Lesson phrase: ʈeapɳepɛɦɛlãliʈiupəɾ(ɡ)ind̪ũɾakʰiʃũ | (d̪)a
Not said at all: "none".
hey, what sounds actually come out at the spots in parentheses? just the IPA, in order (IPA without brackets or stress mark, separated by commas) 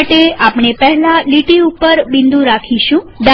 b, d̪